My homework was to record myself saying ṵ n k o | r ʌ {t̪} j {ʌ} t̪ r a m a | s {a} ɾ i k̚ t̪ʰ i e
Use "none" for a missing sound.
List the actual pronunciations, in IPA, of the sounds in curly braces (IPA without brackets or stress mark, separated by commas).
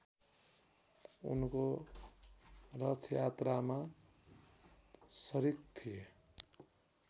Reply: t̪ʰ, a, ʌ